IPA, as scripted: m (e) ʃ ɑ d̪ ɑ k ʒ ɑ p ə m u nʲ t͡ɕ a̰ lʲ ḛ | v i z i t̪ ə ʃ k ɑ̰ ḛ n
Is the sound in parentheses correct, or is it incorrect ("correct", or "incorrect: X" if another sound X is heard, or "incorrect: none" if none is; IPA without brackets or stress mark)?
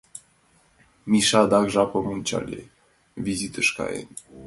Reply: incorrect: i